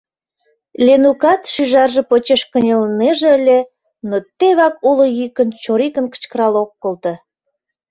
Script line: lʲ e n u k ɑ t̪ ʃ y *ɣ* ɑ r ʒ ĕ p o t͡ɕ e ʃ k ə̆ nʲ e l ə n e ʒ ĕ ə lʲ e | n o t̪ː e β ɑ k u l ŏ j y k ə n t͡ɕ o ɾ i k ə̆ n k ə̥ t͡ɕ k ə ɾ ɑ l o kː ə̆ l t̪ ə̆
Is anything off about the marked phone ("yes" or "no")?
yes